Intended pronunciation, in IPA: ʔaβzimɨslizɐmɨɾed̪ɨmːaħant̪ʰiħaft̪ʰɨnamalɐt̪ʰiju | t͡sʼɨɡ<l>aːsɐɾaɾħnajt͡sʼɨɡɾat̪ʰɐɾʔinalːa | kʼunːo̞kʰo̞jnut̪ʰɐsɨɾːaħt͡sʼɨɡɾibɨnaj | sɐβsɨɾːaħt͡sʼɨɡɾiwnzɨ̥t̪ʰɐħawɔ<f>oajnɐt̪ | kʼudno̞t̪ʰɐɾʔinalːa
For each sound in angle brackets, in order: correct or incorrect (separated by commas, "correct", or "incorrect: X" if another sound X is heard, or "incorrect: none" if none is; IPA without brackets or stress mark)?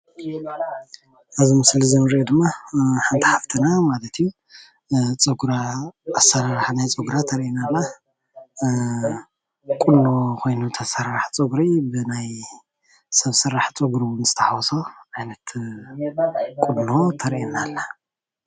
incorrect: ɾ, incorrect: s